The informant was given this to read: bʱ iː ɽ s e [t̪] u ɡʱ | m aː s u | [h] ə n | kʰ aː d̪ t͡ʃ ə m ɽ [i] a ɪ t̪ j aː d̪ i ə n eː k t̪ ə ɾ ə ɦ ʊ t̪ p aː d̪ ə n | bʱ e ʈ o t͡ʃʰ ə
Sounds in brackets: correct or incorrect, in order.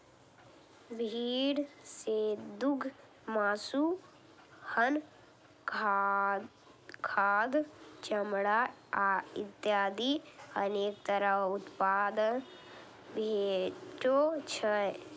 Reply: incorrect, correct, incorrect

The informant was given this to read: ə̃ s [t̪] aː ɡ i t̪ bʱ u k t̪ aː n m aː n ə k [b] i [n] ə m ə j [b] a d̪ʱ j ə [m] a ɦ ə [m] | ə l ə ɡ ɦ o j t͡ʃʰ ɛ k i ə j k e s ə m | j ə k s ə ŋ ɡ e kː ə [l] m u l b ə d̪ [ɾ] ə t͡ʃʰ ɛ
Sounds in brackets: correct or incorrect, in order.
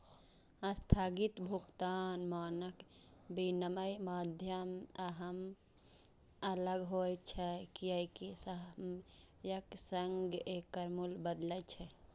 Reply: incorrect, correct, correct, incorrect, correct, correct, incorrect, incorrect

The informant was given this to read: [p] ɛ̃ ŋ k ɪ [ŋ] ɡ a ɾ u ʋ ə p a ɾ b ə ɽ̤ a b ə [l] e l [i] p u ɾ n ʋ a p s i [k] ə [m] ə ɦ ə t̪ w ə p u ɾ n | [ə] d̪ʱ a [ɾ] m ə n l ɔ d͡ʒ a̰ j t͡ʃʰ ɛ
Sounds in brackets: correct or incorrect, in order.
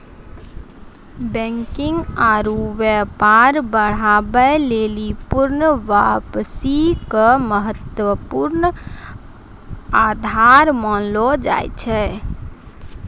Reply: incorrect, correct, correct, correct, correct, correct, incorrect, correct

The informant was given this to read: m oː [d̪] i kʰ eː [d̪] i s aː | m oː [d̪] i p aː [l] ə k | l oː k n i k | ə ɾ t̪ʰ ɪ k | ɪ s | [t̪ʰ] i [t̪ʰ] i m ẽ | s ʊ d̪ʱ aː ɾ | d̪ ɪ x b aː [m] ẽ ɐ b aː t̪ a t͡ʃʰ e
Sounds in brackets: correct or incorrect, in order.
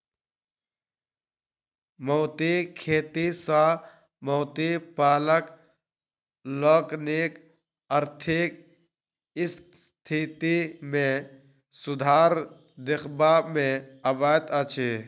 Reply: incorrect, incorrect, incorrect, correct, correct, incorrect, correct

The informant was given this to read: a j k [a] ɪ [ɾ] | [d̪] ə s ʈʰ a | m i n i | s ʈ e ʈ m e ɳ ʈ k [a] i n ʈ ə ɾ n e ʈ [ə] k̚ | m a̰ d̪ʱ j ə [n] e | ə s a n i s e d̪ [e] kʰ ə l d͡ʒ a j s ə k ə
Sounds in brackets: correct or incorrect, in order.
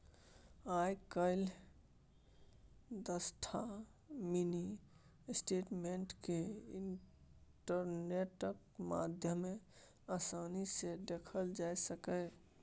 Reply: incorrect, incorrect, correct, incorrect, correct, incorrect, correct

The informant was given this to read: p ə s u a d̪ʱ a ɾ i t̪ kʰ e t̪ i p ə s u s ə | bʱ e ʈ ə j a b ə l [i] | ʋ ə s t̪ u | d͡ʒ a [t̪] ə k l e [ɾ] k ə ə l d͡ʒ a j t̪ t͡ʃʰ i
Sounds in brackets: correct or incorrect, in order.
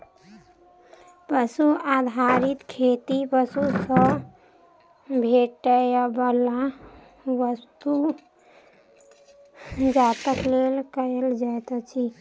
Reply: incorrect, correct, incorrect

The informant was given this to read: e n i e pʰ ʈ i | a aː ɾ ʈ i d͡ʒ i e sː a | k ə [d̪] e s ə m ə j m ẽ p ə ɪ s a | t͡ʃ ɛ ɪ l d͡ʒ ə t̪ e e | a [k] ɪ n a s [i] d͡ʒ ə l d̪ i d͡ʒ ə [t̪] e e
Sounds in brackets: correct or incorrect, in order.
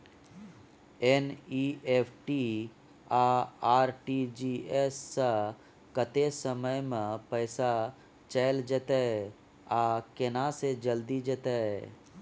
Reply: incorrect, correct, incorrect, correct

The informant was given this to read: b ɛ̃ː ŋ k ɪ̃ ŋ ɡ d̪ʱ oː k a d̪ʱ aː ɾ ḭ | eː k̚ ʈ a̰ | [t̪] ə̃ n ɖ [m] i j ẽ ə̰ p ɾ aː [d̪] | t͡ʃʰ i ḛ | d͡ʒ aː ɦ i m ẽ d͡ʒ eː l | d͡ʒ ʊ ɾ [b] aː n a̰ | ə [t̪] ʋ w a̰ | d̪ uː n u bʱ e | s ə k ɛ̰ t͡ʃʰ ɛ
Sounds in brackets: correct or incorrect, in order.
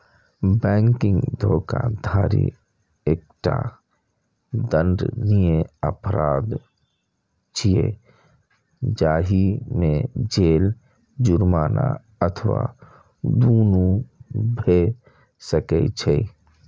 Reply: incorrect, incorrect, correct, incorrect, incorrect

